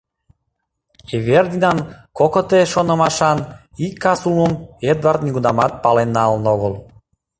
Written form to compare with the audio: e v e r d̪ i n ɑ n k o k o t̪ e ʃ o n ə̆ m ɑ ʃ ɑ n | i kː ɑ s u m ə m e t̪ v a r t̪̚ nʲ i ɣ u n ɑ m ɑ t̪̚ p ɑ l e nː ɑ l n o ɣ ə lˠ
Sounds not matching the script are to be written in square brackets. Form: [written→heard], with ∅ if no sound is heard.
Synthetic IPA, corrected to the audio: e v e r d̪ i n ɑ n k o k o t̪ e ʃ o n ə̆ m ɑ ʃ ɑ n | i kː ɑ s u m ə m e [t̪→d̪] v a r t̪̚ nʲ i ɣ u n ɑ m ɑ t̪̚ p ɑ l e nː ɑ l n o ɣ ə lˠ